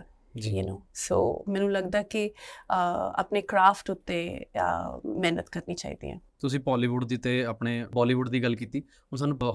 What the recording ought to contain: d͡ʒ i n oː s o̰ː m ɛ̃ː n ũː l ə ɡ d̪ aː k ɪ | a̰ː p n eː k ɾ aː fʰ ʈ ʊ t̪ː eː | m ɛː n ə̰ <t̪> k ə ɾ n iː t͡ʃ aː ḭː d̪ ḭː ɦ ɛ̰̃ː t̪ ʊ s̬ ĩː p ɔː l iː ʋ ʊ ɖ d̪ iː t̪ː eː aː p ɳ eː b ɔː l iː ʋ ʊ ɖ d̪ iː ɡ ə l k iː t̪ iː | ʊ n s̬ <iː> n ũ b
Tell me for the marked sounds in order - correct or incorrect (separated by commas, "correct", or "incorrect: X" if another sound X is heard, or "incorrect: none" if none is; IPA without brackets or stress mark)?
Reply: correct, incorrect: aː